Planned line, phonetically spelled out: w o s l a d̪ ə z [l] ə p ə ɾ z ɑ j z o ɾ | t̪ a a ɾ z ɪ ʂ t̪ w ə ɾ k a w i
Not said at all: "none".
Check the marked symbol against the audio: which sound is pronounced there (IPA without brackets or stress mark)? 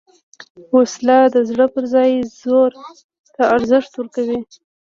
ɽ